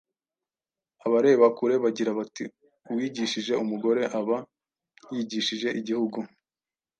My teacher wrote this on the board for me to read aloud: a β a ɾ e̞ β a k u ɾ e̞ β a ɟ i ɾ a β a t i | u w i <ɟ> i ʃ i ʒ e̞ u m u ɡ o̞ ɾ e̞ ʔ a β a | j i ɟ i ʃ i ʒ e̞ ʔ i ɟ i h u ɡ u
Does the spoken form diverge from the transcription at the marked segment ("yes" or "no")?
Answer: no